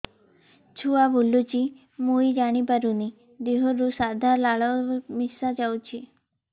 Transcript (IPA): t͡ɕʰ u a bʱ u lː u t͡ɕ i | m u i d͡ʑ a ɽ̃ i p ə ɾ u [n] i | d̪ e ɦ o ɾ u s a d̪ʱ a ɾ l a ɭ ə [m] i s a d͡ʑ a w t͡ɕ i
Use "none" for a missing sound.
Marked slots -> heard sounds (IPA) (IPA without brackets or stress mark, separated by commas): n, m